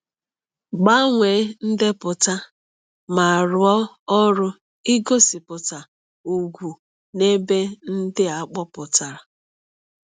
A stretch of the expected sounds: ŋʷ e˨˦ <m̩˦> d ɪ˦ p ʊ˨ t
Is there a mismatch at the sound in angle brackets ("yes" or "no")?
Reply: yes